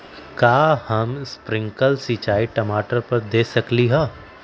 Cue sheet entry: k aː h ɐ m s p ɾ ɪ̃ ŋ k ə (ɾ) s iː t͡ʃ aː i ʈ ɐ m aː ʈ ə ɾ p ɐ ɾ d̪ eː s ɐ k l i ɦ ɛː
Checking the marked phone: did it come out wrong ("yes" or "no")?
yes